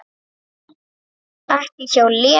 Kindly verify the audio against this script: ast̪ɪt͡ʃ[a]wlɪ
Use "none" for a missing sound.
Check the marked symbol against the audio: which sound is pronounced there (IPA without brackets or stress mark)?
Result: a